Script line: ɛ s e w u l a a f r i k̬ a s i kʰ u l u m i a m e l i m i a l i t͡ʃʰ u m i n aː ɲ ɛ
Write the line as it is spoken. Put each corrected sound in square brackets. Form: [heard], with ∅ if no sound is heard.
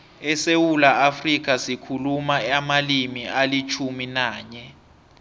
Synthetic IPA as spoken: ɛ s e w u l a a f r i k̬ a s i kʰ u l u m [a] a m [a] l i m i a l i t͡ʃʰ u m i n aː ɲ ɛ